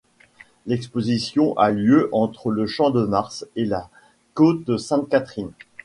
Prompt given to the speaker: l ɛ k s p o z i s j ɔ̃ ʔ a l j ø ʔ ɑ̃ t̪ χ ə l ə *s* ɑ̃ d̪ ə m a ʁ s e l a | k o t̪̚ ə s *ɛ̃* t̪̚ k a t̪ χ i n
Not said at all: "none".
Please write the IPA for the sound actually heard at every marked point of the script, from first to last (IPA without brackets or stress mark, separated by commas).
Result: ʃ, ɛ̃